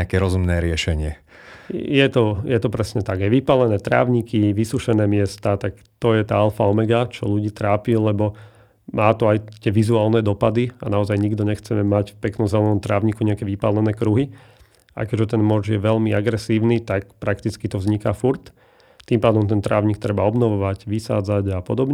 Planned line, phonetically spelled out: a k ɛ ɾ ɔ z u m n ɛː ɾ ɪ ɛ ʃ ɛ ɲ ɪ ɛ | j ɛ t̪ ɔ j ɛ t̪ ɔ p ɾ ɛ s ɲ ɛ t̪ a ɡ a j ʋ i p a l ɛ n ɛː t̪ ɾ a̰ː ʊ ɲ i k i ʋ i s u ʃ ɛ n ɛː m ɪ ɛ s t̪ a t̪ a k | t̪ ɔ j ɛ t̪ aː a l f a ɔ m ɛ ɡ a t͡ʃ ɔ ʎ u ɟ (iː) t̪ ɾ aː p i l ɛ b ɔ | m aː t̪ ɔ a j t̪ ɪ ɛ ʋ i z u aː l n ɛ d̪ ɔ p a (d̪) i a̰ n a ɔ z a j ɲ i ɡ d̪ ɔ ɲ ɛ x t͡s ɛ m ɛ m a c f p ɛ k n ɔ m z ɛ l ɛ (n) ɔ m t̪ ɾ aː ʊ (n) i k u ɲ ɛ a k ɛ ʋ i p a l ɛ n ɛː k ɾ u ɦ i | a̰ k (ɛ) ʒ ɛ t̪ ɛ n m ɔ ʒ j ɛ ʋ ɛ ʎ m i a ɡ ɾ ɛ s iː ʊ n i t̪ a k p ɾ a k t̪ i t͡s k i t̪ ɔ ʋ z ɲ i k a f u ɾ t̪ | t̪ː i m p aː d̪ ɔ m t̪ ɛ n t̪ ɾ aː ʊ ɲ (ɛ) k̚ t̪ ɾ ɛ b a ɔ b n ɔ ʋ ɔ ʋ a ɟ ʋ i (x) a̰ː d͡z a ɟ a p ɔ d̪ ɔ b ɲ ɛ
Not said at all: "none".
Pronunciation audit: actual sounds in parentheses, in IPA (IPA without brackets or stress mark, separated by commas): iː, d̪, n, ɲ, ɛ, i, s